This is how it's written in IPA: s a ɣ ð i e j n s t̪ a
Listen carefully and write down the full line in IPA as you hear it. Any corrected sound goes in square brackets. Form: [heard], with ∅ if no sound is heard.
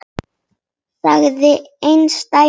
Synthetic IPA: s a ɣ ð [ɪ] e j n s t̪ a